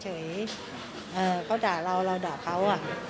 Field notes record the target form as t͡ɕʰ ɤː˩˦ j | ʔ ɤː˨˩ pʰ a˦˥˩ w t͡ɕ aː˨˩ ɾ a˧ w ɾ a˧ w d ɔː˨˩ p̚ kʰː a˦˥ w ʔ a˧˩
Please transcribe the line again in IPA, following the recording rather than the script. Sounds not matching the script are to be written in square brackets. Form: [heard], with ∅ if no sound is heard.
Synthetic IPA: t͡ɕʰ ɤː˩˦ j | ʔ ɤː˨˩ [kʰ] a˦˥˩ w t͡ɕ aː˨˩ ɾ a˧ w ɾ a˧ w d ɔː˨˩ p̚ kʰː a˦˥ w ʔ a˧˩